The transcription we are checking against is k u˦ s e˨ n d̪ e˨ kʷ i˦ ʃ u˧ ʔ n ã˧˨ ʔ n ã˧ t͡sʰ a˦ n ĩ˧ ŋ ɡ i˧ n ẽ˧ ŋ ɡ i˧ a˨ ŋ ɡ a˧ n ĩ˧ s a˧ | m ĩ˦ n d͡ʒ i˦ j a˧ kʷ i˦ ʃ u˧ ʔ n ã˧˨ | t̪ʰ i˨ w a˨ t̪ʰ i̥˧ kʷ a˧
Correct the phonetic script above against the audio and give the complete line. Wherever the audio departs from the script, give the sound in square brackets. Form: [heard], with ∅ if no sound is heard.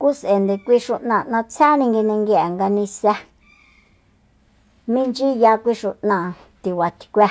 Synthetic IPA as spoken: k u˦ s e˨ n d̪ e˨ kʷ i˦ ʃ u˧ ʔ n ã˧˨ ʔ n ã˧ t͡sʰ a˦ n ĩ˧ ŋ ɡ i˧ n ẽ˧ ŋ ɡ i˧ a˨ ŋ ɡ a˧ n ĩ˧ s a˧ | m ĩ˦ n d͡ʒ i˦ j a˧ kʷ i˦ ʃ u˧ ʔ n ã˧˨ | [t̪] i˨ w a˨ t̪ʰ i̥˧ kʷ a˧